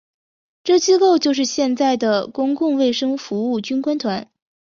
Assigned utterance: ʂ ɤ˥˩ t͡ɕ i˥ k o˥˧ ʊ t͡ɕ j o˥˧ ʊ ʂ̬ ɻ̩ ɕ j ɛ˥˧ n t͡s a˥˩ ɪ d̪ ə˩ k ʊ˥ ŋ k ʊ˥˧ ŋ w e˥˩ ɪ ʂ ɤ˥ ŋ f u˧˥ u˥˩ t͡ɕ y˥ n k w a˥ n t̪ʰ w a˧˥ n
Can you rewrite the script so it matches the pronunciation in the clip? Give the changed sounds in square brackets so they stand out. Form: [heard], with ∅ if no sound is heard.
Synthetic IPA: [ʈ͡ʂ] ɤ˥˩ t͡ɕ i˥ k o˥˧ ʊ t͡ɕ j o˥˧ ʊ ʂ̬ ɻ̩ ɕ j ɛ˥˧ n t͡s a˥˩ ɪ d̪ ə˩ k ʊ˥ ŋ k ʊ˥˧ ŋ w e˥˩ ɪ ʂ ɤ˥ ŋ f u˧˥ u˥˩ t͡ɕ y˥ n k w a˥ n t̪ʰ w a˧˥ n